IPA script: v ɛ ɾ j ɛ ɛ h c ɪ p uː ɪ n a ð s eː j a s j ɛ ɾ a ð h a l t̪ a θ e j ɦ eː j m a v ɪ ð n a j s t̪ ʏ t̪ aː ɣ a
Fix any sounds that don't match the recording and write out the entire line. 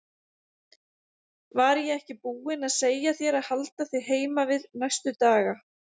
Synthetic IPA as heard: v a ɾ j ɛ ɛ h c ɪ p uː ɪ n a ð s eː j a θ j ɛ ɾ a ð h a l t̪ a θ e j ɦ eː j m a v ɪ ð n a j s t̪ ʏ t̪ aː ɣ a